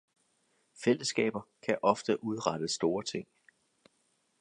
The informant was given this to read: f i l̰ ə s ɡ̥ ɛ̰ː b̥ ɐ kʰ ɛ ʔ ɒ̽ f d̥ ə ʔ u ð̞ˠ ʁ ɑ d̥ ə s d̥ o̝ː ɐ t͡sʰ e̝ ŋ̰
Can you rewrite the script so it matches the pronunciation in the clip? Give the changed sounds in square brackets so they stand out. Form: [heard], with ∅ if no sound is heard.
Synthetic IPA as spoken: f [e] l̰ ə s ɡ̥ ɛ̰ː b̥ ɐ kʰ [æ] ʔ ɒ̽ f d̥ ə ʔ u ð̞ˠ ʁ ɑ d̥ ə s d̥ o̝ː ɐ t͡sʰ e̝ ŋ̰